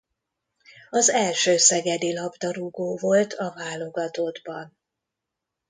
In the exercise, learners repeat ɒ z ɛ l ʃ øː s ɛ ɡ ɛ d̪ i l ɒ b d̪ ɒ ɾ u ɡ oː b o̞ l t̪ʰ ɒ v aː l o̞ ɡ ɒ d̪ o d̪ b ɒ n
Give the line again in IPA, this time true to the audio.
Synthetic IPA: ɒ z ɛ l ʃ øː s ɛ ɡ ɛ d̪ i l ɒ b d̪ ɒ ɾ u ɡ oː v o̞ l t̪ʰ ɒ v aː l o̞ ɡ ɒ t̪ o d̪ b ɒ n